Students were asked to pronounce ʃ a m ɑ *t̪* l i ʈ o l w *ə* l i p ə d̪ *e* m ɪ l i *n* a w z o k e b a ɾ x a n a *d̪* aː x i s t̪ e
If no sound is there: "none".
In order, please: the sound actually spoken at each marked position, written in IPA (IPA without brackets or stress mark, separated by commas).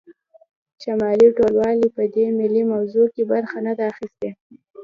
none, ɑ, e, m, d̪